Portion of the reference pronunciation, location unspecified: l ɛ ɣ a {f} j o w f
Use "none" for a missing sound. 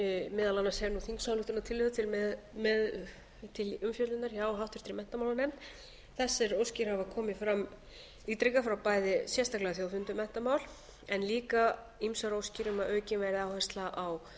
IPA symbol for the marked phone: θ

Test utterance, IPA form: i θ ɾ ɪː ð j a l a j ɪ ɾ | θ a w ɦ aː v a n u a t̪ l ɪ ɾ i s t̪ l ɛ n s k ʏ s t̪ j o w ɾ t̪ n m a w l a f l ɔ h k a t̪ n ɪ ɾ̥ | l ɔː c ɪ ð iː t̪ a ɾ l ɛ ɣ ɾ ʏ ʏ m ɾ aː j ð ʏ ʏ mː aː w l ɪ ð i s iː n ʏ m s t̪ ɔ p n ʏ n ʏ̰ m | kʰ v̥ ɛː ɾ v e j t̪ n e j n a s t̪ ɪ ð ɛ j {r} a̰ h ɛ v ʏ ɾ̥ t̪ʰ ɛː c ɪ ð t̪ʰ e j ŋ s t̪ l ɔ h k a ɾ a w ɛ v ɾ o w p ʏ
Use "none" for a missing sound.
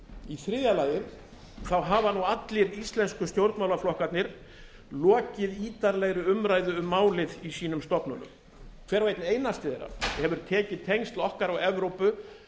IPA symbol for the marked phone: ɾ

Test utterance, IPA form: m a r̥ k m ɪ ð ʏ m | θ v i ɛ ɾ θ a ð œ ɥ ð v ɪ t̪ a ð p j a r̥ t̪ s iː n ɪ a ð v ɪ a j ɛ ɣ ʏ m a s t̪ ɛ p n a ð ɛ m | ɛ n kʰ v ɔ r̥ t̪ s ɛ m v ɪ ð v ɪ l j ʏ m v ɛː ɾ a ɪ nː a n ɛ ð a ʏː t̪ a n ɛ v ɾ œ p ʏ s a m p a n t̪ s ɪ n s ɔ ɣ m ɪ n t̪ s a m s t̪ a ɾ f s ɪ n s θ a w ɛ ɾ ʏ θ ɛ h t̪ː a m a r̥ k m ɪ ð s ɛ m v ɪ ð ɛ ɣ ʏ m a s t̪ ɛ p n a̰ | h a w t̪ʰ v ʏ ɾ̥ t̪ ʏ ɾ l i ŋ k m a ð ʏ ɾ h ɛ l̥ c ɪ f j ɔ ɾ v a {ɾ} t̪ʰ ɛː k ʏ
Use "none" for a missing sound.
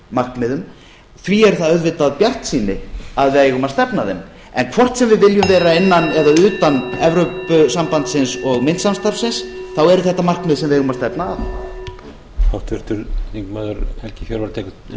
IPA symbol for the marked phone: ɾ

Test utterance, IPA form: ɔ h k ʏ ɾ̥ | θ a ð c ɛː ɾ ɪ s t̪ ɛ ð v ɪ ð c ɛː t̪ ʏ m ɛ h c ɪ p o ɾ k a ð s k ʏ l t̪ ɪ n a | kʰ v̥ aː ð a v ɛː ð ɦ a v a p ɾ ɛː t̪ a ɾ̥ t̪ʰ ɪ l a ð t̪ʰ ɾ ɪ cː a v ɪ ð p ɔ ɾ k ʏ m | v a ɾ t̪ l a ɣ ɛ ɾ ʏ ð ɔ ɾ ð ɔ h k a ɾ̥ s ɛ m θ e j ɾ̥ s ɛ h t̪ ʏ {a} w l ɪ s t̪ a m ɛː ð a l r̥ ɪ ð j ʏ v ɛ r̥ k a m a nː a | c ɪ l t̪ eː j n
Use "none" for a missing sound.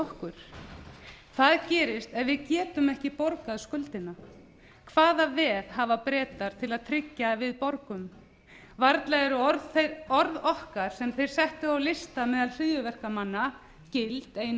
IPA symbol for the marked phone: a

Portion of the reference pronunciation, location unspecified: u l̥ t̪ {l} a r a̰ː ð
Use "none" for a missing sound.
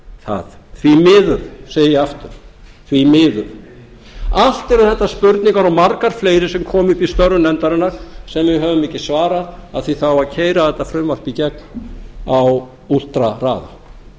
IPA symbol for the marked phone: ɾ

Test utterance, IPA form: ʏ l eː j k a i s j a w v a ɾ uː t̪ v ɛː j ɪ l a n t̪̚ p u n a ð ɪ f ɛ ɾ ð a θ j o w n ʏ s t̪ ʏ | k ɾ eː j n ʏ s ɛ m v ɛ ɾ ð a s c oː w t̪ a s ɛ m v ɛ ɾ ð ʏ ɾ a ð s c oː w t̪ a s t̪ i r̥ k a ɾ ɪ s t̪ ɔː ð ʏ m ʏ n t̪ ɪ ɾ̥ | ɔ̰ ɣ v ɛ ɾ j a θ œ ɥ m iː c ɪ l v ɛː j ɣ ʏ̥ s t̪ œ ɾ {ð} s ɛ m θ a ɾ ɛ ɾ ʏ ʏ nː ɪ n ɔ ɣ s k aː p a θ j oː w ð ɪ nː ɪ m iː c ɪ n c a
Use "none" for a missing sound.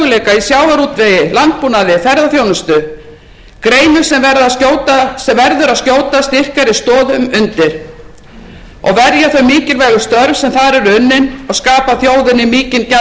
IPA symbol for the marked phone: v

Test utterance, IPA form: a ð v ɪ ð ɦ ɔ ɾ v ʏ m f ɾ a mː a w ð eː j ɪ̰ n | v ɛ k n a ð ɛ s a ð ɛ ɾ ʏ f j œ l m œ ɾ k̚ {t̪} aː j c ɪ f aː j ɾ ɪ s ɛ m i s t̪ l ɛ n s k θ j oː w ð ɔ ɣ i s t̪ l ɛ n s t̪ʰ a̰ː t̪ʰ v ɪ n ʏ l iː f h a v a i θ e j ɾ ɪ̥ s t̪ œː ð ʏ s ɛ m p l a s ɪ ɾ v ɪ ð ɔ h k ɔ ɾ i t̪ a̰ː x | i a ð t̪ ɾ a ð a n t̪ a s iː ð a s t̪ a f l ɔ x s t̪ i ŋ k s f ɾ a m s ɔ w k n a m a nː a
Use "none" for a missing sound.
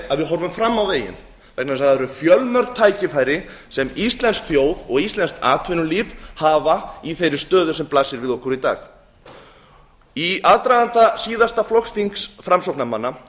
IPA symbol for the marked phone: t̪ʰ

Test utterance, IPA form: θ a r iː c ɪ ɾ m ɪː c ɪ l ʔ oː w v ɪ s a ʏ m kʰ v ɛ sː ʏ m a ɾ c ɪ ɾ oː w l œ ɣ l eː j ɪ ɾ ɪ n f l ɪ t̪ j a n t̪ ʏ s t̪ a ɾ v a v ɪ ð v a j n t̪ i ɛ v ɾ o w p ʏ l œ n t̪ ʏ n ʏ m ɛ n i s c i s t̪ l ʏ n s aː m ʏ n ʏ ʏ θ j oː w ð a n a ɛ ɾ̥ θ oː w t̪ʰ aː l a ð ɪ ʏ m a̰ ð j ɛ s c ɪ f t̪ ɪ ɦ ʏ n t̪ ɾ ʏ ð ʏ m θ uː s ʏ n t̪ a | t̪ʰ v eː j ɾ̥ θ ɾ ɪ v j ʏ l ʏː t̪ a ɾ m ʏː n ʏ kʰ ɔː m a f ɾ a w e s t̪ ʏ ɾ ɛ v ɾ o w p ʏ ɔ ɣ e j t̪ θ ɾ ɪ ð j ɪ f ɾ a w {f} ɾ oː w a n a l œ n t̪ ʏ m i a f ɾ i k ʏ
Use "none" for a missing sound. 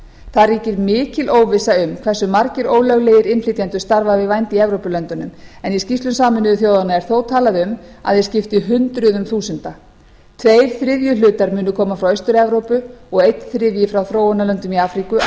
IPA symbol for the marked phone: θ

